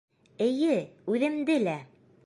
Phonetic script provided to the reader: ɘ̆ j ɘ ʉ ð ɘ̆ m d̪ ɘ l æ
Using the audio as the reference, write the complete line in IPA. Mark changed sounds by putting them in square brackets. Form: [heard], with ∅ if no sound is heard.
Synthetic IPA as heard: ɘ̆ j ɘ ʉ ð ɘ̆ m d̪ ɘ l æ